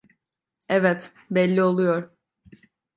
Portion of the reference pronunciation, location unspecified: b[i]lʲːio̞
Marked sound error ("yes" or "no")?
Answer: yes